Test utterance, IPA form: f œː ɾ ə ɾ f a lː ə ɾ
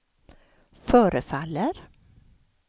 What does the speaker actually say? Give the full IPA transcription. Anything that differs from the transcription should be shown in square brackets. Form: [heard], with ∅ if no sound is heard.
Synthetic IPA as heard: f œː ɾ ə [∅] f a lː ə ɾ

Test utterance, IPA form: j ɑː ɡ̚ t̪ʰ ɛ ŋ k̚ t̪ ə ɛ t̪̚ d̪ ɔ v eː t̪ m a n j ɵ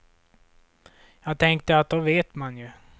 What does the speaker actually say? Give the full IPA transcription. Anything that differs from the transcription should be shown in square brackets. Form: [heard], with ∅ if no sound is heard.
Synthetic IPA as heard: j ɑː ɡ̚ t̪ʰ ɛ ŋ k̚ t̪ ə [a] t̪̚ d̪ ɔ v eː t̪ m a n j ɵ

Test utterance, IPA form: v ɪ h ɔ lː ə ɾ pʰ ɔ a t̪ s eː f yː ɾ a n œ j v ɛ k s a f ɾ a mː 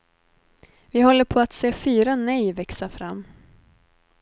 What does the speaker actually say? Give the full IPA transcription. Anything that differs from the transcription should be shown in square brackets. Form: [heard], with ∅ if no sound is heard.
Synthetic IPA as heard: v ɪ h ɔ lː ə ɾ pʰ ɔ a t̪ s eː f yː ɾ a n [ɛ] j v ɛ k s a f ɾ a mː

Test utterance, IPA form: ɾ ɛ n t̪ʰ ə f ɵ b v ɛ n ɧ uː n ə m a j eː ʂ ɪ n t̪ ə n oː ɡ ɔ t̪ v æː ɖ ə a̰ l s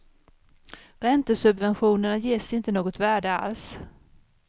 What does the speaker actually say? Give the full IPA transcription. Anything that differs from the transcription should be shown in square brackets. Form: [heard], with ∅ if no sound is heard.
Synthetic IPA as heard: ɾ ɛ n [t̪] ə [s] ɵ b v ɛ n ɧ uː n ə [ɳ] a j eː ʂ ɪ n t̪ ə n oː ɡ ɔ t̪ v æː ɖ ə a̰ l s

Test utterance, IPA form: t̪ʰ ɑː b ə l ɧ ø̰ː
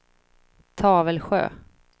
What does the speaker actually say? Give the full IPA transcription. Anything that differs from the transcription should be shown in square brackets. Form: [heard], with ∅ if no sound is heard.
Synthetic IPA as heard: t̪ʰ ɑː [v] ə l ɧ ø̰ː

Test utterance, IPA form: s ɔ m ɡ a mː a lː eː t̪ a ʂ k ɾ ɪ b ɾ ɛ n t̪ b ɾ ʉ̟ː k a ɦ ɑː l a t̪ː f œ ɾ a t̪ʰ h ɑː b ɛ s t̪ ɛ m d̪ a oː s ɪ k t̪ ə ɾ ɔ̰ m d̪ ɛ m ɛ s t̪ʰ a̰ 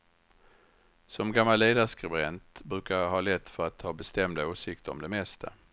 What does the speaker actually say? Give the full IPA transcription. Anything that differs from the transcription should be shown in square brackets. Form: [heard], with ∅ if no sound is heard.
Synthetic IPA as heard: s ɔ m ɡ a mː a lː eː [d̪] a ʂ k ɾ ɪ b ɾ ɛ n t̪ b ɾ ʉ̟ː k a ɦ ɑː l [ɛ] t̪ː f œ ɾ a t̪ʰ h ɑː b ɛ s t̪ ɛ m d̪ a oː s ɪ k t̪ ə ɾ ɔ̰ m d̪ ɛ m ɛ s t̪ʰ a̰

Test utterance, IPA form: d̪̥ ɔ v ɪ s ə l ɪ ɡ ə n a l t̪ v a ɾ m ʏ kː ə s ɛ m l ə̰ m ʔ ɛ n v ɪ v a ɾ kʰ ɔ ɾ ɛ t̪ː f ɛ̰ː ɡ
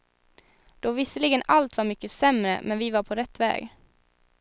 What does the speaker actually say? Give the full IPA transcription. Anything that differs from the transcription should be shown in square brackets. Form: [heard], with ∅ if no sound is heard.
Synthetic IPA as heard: d̪̥ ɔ v ɪ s ə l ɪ ɡ ə n a l t̪ v a ɾ m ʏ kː ə s ɛ m [ɾ] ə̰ m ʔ ɛ n v ɪ v a ɾ [pʰ] ɔ ɾ ɛ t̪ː [v] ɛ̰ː ɡ

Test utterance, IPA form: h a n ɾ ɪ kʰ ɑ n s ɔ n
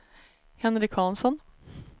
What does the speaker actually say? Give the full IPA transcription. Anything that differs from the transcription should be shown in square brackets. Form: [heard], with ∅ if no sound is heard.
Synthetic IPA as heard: h [ɛ] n ɾ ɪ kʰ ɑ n s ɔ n

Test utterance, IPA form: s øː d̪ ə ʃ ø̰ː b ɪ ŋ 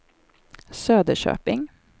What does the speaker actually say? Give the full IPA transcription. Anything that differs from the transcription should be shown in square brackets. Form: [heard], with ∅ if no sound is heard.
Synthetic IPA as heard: s øː d̪ ə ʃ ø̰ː [p] ɪ ŋ

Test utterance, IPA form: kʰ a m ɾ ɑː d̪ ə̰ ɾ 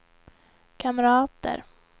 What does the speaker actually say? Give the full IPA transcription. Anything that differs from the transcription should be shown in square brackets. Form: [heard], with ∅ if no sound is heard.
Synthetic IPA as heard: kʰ a m ɾ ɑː [t̪] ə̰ ɾ

